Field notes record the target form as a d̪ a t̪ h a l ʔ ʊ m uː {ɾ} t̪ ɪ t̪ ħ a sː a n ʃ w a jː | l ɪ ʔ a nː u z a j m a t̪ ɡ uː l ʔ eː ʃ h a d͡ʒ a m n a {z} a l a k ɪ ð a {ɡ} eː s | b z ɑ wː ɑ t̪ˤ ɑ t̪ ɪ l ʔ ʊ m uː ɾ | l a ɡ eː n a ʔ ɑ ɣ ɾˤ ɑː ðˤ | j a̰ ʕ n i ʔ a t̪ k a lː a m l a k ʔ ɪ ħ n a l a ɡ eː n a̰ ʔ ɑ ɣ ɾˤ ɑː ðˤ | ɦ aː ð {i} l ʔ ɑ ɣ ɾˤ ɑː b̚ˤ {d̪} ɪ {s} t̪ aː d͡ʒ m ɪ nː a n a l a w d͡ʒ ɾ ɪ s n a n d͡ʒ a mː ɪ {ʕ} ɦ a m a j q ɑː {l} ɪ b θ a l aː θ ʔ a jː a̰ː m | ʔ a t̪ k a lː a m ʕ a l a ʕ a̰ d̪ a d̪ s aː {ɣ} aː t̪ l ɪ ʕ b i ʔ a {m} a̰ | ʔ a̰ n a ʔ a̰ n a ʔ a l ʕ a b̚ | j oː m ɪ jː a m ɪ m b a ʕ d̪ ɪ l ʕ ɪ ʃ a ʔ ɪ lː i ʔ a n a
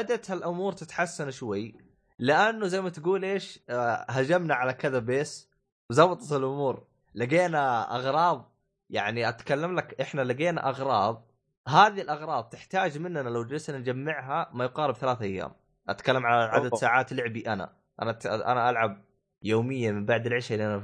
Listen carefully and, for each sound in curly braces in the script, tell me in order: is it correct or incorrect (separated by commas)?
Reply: correct, incorrect, incorrect, correct, incorrect, incorrect, correct, incorrect, incorrect, incorrect